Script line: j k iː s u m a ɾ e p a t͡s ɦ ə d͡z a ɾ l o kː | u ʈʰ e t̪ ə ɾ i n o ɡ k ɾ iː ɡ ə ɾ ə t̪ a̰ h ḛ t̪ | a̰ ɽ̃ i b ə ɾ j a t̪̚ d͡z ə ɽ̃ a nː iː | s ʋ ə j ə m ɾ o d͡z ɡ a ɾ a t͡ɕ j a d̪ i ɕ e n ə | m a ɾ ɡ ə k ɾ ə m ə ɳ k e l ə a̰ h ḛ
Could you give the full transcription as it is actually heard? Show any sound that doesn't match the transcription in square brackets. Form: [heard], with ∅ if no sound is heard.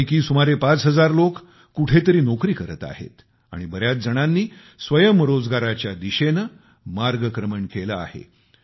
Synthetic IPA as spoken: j k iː s u m a ɾ e p a t͡s ɦ ə d͡z a ɾ l o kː | u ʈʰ e t̪ ə ɾ [iː] n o [∅] k ɾ iː [k] ə ɾ ə t̪ a̰ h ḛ t̪ | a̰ ɽ̃ i b ə ɾ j a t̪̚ d͡z ə ɽ̃ a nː iː | s ʋ ə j ə m ɾ o d͡z ɡ a ɾ a t͡ɕ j a d̪ i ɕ e n ə | m a ɾ ɡ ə k ɾ ə m ə ɳ k e l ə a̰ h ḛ